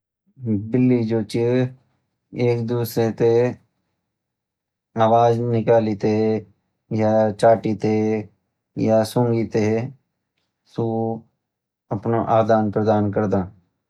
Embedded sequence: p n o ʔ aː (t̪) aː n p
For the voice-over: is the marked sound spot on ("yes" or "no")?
no